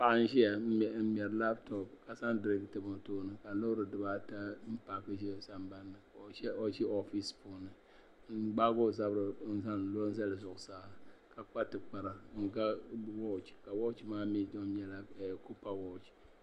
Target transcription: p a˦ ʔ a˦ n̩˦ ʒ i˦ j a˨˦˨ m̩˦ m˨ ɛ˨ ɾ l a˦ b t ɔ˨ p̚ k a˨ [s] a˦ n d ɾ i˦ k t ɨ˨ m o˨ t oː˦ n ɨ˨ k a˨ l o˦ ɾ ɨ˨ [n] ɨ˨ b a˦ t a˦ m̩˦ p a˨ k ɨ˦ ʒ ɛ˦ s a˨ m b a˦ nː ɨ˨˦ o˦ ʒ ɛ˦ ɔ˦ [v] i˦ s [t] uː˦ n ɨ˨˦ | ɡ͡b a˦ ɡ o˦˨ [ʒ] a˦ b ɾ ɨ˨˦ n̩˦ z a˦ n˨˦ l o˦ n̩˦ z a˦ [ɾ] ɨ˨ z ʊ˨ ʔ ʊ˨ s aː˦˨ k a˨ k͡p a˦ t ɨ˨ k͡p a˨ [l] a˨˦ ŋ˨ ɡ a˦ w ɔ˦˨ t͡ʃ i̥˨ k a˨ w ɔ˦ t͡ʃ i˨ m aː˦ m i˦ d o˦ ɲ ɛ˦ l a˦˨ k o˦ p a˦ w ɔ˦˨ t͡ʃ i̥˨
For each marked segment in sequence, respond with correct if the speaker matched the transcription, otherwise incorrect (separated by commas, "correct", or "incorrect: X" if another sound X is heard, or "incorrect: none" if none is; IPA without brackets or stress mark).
correct, incorrect: d, incorrect: f, incorrect: p, incorrect: z, incorrect: l, incorrect: ɾ